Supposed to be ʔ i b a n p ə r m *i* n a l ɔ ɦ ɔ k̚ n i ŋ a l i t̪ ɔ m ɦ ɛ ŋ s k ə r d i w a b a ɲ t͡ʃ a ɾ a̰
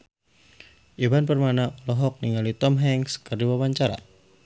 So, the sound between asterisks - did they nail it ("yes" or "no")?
no